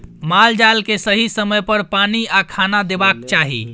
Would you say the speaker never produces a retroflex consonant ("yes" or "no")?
yes